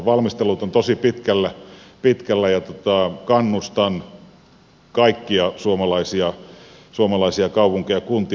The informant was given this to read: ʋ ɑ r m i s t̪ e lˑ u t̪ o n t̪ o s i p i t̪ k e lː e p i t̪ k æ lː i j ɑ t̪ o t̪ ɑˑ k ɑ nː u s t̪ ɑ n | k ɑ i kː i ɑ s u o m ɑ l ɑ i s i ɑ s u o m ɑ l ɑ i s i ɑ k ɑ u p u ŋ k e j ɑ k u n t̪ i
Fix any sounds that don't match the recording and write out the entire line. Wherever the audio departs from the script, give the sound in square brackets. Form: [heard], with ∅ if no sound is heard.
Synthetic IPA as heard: ʋ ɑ [l] m i s t̪ e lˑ u t̪ o n t̪ o s i p i t̪ k [æ] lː [æ] p i t̪ k æ lː [æ] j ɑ t̪ o t̪ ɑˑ k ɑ nː u s t̪ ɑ n | k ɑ i kː i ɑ s u o m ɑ l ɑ i s i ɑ s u o m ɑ l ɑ i s i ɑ k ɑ u p u ŋ k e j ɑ k u n t̪ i